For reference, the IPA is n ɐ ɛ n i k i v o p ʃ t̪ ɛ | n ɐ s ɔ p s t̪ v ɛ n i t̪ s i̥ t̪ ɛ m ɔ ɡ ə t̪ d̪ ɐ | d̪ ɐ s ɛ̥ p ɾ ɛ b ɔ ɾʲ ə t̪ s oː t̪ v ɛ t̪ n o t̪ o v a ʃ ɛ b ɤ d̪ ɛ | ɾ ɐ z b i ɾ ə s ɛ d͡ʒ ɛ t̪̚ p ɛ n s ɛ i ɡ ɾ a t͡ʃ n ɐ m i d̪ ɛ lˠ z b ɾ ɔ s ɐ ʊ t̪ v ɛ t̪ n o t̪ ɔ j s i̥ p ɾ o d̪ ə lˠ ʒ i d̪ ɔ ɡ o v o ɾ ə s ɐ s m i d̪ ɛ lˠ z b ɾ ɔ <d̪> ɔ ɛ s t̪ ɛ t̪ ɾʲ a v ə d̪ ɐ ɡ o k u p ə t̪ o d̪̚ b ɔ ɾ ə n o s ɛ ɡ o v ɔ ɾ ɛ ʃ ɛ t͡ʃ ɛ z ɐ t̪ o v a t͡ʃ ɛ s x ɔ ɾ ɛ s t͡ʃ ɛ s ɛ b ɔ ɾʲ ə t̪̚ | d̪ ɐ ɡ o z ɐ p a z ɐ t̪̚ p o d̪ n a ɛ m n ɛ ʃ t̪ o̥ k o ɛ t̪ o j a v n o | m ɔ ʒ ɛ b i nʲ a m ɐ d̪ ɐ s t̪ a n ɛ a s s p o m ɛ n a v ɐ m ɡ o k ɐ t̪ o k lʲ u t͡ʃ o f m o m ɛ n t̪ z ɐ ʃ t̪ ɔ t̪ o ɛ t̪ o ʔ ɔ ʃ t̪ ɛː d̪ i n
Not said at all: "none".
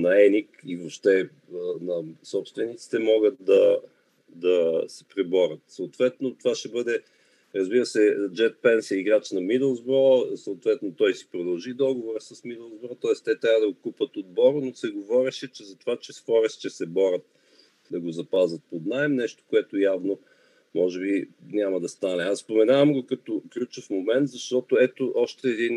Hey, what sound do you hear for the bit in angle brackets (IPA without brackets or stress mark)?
t̪